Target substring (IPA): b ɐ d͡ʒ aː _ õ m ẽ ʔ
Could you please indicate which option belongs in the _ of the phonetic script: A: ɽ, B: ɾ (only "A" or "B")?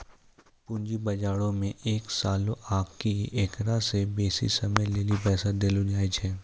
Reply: A